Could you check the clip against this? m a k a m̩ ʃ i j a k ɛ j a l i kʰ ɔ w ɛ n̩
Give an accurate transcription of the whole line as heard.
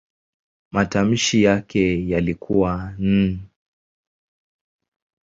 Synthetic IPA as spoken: m a t a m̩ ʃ i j a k ɛ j a l i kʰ u w a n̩

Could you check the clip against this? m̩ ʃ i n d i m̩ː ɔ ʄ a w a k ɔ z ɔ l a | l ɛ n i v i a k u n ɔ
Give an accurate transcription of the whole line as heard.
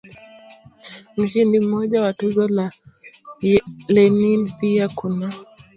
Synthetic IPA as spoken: m̩ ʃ i n d i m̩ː ɔ ʄ a w a t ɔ z ɔ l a | l ɛ n i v i a k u n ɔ

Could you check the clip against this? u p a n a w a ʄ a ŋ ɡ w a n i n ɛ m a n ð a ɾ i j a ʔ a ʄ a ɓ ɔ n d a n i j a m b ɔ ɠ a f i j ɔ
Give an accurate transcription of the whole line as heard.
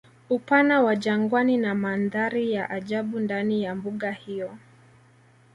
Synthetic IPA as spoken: u p a n a w a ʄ a ŋ ɡ w a n i n a m a n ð a ɾ i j a ʔ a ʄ a ɓ u n d a n i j a m b u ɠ a h i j ɔ

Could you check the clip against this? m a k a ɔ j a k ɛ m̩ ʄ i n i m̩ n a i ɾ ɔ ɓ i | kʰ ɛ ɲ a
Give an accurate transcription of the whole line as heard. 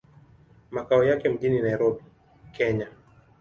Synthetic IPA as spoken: m a k a ɔ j a k ɛ m̩ ʄ i n i n a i ɾ ɔ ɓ i | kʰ ɛ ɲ a

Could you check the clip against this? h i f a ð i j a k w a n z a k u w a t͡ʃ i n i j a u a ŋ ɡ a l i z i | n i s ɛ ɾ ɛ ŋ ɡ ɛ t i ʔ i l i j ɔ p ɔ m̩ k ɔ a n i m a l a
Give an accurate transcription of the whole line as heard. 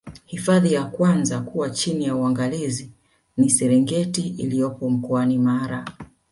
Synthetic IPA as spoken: h i f a ð i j a k w a n z a k u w a t͡ʃ i n i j a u a ŋ ɡ a l i z i | n i s ɛ ɾ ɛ ŋ ɡ ɛ t i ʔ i l i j ɔ p ɔ m̩ k ɔ a n i m a ɾ a

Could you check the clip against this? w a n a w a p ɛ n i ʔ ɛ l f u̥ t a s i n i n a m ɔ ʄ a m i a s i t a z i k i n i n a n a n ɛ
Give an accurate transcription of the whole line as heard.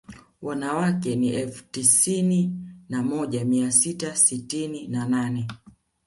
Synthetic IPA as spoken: w a n a w a k ɛ n i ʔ ɛ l f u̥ t i s i n i n a m ɔ ʄ a m i a s i t a s i t i n i n a n a n ɛ

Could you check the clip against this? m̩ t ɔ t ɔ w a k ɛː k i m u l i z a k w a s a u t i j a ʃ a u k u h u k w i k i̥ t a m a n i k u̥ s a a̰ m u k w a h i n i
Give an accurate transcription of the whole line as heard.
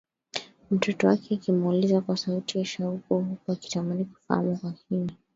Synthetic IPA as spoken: m̩ t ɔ t ɔ w a k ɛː k i m u l i z a k w a s a u t i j a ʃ a u k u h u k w a k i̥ t a m a n i k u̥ f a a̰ m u k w a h i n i

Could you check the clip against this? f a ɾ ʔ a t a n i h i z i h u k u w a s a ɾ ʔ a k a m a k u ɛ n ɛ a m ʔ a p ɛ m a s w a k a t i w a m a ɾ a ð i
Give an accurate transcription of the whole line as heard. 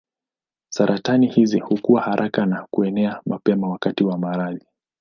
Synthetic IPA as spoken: s a ɾ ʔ a t a n i h i z i h u k u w a h a ɾ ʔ a k a n a k u ɛ n ɛ a m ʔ a p ɛ m a w a k a t i w a m a ɾ a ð i

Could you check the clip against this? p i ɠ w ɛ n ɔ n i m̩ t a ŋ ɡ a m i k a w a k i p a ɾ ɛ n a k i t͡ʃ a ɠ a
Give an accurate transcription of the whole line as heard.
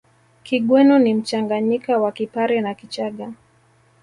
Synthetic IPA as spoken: k i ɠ w ɛ n ɔ n i m̩ t͡ʃ a ŋ ɡ a ɲ i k a w a k i p a ɾ ɛ n a k i t͡ʃ a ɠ a

